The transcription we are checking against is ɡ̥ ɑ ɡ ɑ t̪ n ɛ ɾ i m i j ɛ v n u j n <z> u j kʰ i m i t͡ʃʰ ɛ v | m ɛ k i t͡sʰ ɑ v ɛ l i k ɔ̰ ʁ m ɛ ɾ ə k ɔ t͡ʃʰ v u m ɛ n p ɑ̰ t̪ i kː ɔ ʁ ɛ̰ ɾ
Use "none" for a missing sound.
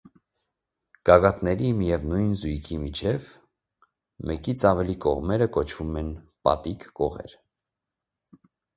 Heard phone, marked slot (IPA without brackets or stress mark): z